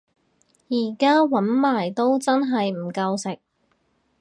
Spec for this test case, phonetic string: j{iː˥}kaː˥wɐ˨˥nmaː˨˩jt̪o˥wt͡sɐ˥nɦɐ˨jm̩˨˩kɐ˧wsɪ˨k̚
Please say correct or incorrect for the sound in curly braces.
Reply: incorrect: iː˨˩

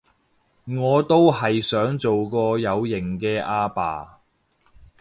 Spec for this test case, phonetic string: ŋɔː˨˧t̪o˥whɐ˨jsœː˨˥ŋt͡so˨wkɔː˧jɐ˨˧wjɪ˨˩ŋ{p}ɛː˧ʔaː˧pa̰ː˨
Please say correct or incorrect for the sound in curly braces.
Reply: incorrect: k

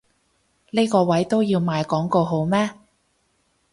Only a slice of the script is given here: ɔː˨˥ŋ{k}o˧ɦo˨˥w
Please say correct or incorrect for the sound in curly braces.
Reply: correct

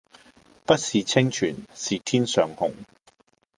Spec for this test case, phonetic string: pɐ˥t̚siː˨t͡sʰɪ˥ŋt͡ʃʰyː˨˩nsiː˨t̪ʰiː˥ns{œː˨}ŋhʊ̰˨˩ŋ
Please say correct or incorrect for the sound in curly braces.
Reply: correct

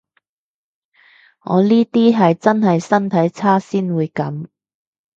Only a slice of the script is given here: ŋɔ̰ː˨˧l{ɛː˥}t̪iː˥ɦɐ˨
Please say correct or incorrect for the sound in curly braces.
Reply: incorrect: iː˥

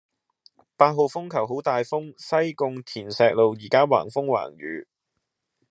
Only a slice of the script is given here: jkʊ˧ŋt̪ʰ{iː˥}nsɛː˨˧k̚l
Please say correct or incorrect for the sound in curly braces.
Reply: incorrect: iː˨˩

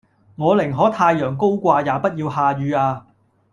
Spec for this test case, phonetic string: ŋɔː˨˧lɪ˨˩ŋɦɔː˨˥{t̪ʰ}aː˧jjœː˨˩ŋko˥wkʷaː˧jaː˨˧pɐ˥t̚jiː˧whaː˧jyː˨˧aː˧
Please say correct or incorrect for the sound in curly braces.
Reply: correct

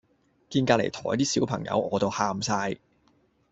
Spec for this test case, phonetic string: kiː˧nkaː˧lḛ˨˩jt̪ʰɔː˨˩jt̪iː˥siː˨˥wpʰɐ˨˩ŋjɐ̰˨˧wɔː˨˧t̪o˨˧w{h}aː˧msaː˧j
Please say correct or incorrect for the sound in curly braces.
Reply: correct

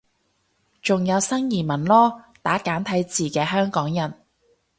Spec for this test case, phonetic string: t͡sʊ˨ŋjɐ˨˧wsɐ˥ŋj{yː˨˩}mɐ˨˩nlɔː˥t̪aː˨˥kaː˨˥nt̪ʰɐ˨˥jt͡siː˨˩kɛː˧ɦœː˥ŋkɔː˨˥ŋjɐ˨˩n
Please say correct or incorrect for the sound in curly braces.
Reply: incorrect: iː˨˩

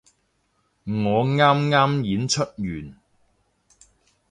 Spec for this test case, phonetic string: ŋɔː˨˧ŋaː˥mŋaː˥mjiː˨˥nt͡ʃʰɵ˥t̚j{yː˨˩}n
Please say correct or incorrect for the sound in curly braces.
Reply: correct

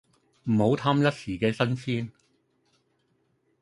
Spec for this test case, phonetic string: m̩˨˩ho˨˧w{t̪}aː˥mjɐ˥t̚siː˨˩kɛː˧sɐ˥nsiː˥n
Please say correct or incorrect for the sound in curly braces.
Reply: incorrect: t̪ʰ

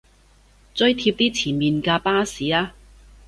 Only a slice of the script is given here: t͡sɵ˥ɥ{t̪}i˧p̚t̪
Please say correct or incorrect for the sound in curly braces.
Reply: incorrect: t̪ʰ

